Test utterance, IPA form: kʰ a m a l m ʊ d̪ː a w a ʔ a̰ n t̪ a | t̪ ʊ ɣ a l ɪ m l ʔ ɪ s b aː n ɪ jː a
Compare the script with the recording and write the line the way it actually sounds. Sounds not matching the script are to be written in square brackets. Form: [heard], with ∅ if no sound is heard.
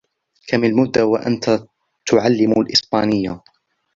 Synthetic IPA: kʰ a m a l m ʊ d̪ː a w a ʔ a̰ n t̪ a | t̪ ʊ [ʕ] a [lː] ɪ m l ʔ ɪ s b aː n ɪ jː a